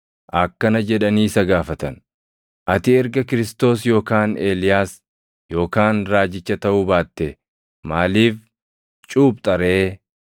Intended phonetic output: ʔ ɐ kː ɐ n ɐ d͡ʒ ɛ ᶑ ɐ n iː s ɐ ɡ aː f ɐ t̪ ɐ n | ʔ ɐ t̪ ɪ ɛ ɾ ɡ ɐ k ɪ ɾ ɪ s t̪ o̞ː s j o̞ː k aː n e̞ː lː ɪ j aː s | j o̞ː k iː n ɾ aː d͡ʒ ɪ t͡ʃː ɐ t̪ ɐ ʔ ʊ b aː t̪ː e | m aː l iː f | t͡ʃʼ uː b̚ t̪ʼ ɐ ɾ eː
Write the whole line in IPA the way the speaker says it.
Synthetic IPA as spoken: ʔ ɐ kː ɐ n ɐ d͡ʒ ɛ ᶑ ɐ n iː s ɐ ɡ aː f ɐ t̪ ɐ n | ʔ ɐ t̪ ɪ ɛ ɾ ɡ ɐ k ɪ ɾ ɪ s t̪ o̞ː s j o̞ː k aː n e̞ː l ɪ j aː s | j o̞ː k aː n ɾ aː d͡ʒ ɪ t͡ʃː ɐ t̪ ɐ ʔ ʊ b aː t̪ː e | m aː l iː f | t͡ʃʼ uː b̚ t̪ʼ ɐ ɾ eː